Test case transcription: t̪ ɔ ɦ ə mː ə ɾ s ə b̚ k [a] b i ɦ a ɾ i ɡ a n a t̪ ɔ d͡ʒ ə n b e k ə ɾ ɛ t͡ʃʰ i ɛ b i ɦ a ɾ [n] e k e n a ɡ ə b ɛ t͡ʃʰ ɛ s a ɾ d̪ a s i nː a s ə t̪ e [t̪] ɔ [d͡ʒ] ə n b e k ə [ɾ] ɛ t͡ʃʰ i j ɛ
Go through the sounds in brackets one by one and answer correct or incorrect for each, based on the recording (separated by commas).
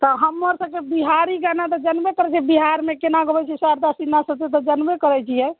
incorrect, incorrect, correct, correct, correct